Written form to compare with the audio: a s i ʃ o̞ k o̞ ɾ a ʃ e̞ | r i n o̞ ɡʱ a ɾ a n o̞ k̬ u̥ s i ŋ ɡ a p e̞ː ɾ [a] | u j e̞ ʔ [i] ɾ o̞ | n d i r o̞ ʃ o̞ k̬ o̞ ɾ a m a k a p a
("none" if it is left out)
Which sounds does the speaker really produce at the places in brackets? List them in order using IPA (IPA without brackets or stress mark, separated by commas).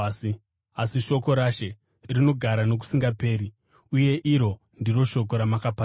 i, i